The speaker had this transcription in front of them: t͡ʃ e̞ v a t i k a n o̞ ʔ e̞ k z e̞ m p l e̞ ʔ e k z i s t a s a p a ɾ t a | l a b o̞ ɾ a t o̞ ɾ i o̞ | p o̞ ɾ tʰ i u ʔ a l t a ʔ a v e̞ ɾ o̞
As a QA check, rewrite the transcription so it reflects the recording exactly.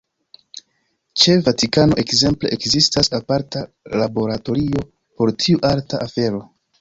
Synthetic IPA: t͡ʃ e̞ v a t i k a n o̞ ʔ e̞ k z e̞ m p l e̞ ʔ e k z i s t a s a p a ɾ t a | l a b o̞ ɾ a t o̞ ɾ i o̞ | p o̞ ɾ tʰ i u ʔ a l t a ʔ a f e̞ ɾ o̞